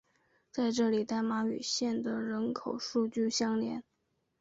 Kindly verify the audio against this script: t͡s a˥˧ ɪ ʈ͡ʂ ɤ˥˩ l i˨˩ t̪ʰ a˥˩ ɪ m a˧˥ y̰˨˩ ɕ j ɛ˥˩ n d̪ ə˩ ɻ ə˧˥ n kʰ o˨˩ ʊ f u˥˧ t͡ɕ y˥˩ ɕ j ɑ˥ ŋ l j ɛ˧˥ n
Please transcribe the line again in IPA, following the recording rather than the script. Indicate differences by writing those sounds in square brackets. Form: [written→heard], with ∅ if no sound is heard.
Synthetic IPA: t͡s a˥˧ ɪ ʈ͡ʂ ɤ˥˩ l i˨˩ [t̪ʰ→t̪] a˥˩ ɪ m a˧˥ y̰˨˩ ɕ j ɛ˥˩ n d̪ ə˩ ɻ ə˧˥ n kʰ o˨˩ ʊ [f→ʂ] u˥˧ t͡ɕ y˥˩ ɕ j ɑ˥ ŋ l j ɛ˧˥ n